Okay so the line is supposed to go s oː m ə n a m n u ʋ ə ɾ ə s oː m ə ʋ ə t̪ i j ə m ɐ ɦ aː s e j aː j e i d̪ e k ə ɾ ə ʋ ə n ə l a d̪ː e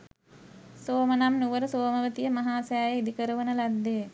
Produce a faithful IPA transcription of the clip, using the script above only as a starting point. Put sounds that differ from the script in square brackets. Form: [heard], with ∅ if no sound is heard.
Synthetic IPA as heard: s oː m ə n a m n u ʋ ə ɾ ə s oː m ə ʋ ə t̪ i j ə m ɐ ɦ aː s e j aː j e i d̪ [i] k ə ɾ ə ʋ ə n ə l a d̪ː e